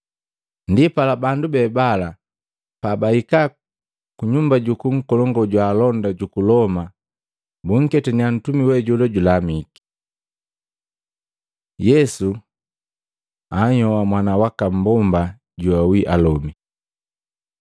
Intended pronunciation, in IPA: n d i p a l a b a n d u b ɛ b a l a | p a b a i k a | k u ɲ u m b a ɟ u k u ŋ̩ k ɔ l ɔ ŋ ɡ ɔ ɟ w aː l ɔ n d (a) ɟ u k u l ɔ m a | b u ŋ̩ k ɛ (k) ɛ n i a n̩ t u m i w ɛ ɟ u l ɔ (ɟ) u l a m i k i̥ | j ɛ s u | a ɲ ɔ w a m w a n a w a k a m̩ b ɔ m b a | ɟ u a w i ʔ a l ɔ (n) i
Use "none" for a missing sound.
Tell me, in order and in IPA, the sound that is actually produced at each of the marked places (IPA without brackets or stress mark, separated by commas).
a, t, ɟ, m